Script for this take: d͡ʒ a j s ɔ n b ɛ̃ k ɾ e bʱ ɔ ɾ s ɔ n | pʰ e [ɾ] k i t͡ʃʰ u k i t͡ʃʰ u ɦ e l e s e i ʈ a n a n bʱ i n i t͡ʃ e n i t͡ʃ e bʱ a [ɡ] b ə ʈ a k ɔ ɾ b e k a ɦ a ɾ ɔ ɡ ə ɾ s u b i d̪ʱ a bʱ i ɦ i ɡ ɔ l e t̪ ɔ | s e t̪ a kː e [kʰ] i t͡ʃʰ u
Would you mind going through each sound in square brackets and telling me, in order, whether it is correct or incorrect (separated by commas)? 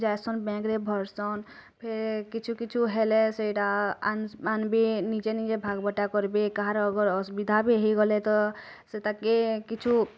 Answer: correct, correct, incorrect